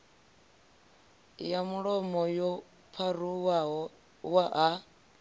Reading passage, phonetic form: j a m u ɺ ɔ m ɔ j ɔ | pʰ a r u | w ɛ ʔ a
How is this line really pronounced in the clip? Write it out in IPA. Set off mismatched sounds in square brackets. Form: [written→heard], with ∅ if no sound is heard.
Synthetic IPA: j a m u ɺ ɔ m ɔ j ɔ | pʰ a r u | w [ɛ→a] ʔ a